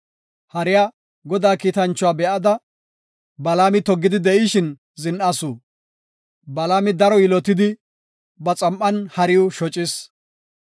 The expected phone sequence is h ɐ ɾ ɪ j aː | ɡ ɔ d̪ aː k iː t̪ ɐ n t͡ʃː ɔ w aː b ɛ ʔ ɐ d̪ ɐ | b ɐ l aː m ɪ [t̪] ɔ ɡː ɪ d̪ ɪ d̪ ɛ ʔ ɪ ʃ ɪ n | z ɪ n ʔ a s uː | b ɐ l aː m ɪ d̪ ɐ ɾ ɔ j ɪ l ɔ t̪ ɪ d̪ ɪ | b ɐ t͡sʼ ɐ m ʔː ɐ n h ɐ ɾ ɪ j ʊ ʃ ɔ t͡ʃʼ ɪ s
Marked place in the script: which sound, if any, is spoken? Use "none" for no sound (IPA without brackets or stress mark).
t̪